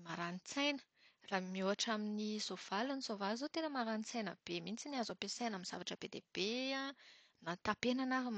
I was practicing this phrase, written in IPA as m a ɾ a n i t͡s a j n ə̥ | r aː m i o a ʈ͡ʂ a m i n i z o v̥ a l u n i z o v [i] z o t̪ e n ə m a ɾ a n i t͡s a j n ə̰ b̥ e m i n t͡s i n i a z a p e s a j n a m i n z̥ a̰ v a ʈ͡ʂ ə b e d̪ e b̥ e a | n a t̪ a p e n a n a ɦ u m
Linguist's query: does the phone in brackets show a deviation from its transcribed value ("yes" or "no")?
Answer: yes